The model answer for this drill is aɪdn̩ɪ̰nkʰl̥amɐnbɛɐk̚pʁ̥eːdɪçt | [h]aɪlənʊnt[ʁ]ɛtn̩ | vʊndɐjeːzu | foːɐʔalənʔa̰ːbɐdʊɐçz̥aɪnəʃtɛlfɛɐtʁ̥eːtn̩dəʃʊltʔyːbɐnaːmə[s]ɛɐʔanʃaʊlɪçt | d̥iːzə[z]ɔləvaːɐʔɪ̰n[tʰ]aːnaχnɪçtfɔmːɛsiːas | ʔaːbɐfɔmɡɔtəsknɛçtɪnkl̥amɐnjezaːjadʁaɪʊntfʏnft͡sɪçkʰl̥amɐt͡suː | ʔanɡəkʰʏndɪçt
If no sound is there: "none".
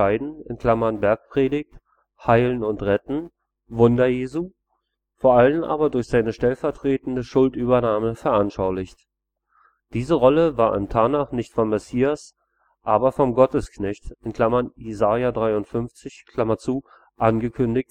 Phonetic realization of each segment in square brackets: h, ʁ, f, ʁ, tʰ

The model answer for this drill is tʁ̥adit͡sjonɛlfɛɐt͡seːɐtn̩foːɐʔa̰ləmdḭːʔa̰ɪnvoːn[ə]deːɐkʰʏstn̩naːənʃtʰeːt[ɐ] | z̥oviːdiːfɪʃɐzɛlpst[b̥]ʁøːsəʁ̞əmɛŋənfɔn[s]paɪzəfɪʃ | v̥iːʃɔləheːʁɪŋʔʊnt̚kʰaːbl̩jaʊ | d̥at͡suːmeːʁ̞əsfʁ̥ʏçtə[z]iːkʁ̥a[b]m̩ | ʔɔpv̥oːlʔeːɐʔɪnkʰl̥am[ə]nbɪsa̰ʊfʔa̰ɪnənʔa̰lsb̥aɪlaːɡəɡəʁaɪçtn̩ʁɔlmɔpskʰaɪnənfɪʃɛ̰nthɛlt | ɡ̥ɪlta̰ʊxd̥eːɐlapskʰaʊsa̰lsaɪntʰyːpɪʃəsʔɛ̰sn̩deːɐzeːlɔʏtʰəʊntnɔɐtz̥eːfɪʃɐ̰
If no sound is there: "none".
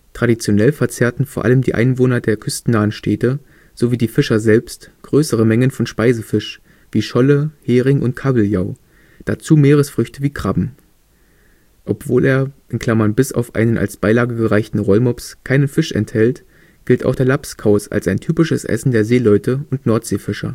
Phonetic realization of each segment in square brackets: ɐ, ə, ɡ̥, ʃ, v, b, ɐ

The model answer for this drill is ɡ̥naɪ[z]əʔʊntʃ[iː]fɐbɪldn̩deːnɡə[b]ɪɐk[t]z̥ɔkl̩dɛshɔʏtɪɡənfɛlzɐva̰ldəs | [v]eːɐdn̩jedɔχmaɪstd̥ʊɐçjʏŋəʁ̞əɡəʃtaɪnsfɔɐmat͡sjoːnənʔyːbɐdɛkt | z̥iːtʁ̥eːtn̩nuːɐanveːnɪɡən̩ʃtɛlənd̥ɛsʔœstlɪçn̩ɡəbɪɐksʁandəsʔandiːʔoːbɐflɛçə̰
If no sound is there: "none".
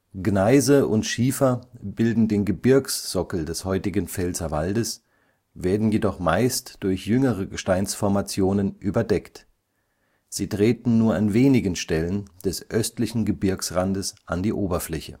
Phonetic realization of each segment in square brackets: z, iː, b, s, v

